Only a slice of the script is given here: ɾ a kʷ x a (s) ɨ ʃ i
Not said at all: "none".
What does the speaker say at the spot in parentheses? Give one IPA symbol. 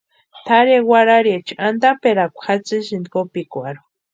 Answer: t͡s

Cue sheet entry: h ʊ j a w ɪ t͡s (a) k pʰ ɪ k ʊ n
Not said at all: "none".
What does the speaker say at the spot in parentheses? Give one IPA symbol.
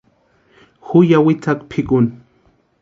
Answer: a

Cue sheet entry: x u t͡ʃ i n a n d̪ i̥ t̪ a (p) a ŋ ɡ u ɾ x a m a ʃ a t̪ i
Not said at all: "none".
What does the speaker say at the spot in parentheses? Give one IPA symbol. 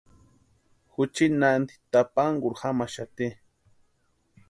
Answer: p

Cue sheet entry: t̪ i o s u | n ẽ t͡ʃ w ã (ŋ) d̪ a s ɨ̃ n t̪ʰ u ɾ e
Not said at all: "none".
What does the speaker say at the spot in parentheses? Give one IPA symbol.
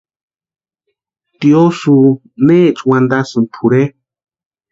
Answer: n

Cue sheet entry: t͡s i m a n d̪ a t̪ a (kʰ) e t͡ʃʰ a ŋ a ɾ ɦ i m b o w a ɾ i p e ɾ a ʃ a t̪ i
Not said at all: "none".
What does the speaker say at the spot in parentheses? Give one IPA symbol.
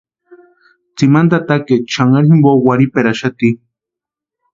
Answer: k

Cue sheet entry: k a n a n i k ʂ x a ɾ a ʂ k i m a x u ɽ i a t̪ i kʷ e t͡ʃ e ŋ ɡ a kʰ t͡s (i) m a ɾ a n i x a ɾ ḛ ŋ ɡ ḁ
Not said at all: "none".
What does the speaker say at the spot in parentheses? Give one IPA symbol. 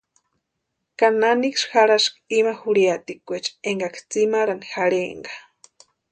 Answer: i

